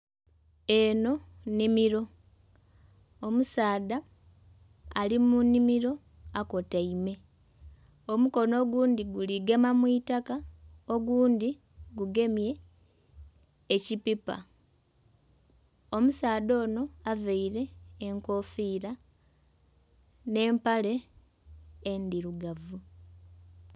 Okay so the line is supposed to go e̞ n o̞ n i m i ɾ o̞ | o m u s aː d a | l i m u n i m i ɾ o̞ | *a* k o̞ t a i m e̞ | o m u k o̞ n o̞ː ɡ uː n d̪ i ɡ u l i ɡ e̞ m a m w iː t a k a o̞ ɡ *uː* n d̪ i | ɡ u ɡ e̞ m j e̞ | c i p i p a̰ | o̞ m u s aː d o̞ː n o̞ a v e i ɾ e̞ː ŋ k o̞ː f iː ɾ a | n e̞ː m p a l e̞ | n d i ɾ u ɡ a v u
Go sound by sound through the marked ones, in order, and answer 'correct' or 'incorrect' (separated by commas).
correct, correct